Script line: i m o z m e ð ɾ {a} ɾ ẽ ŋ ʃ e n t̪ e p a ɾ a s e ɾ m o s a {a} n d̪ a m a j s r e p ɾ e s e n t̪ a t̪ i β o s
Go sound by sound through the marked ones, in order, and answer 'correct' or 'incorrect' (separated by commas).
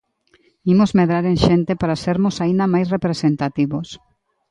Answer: correct, incorrect